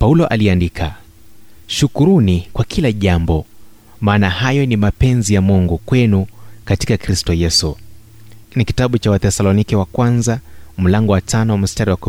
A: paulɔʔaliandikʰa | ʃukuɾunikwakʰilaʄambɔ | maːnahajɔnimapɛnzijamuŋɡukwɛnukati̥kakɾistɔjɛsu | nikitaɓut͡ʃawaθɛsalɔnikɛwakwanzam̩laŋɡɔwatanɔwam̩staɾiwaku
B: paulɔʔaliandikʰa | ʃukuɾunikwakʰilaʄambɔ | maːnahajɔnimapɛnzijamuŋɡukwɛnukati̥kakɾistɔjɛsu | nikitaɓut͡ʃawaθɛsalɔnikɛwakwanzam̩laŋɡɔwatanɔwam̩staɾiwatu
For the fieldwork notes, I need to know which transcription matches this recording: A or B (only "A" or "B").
A